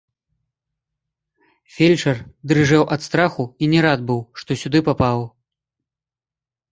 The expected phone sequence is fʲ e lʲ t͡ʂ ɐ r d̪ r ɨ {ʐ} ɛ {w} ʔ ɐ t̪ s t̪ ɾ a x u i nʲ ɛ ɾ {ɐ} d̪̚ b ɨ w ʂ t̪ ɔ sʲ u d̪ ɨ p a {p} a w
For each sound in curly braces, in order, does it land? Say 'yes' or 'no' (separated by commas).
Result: yes, yes, no, yes